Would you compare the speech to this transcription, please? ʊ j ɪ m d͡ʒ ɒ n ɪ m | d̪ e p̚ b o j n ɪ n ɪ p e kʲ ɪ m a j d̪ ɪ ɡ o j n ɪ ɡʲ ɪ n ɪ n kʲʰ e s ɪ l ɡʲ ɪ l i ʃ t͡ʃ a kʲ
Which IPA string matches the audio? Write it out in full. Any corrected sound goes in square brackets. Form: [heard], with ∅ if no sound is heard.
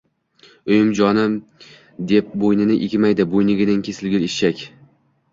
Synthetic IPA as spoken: ʊ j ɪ m d͡ʒ ɒ n ɪ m | d̪ e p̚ b o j n ɪ n ɪ [ʔ] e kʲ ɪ m a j d̪ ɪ [b] o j n ɪ ɡʲ ɪ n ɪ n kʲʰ e s ɪ l ɡʲ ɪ l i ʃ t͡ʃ a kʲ